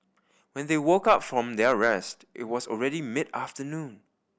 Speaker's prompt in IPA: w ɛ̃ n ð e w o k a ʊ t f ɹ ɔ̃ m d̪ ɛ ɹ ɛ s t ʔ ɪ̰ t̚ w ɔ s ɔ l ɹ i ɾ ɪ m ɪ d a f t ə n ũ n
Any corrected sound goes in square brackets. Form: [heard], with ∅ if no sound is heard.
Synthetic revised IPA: w ɛ̃ n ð e w o k a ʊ t f ɹ ɔ̃ m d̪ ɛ ɹ ɛ s t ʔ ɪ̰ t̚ w ɔ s ɔ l ɹ [ɛ] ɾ [i] m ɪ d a f t ə n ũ n